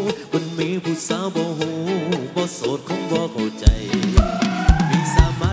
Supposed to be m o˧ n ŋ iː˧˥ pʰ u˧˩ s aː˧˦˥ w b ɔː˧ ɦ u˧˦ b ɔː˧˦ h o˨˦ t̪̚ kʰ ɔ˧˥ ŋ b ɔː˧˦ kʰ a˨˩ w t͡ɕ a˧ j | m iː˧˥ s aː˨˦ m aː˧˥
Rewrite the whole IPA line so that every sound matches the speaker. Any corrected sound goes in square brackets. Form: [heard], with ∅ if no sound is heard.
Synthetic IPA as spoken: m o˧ n [m] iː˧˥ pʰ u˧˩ s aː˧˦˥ w b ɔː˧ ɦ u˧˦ b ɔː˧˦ [s] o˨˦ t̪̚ kʰ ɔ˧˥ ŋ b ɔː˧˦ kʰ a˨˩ w t͡ɕ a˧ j | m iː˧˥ s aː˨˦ m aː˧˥

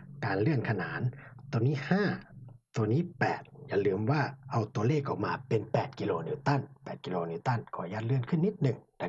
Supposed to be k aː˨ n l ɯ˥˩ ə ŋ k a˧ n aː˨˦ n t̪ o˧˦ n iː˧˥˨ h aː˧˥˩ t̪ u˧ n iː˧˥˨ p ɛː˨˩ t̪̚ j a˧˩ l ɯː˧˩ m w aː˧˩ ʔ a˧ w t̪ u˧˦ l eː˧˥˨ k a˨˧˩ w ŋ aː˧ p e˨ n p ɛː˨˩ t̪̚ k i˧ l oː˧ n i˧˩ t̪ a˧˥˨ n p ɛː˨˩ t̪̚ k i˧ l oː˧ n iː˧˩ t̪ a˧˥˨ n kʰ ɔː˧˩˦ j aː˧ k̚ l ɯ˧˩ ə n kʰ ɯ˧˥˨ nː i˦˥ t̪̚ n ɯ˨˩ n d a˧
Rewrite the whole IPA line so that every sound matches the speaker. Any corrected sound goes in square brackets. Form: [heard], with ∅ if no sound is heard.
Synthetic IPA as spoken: k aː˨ n l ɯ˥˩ ə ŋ [kʰ] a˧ n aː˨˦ n t̪ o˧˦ n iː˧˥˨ h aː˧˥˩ t̪ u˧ n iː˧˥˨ p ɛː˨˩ t̪̚ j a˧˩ l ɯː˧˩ m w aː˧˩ ʔ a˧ w t̪ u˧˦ l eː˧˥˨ k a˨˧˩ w [m] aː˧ p e˨ n p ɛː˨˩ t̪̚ k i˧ l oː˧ n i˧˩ t̪ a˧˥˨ n p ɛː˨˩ t̪̚ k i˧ l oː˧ n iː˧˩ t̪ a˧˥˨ n kʰ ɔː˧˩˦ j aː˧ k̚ l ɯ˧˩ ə n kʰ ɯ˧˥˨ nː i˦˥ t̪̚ n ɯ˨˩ [ŋ] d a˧

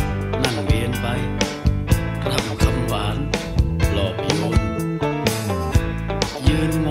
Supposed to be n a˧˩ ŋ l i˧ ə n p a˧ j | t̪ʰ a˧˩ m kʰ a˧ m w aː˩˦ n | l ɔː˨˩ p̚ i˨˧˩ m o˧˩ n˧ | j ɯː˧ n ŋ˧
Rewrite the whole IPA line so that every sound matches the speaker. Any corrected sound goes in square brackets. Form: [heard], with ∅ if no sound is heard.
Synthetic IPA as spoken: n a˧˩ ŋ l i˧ ə n p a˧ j | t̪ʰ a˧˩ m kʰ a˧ m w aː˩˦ n | l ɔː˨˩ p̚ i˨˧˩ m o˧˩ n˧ | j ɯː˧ n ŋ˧

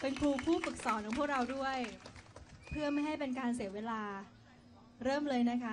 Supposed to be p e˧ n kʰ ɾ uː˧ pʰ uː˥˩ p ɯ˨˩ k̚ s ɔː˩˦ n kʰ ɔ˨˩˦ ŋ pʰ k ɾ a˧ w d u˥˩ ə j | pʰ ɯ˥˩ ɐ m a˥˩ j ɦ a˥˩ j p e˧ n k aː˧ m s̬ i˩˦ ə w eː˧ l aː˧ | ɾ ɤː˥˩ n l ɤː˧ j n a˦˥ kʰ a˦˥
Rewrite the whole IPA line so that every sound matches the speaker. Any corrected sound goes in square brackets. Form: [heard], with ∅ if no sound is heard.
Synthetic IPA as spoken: p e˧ n kʰ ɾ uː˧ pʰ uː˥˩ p ɯ˨˩ k̚ s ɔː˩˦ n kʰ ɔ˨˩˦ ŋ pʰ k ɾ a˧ w d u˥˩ ə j | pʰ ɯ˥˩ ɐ m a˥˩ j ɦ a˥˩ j p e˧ n k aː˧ [n] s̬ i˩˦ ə w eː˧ l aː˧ | ɾ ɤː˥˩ [m] l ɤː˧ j n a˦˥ kʰ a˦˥

